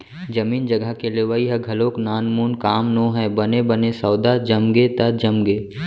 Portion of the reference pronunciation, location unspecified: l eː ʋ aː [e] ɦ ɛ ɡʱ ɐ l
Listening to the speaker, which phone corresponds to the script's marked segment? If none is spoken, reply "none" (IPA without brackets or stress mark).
i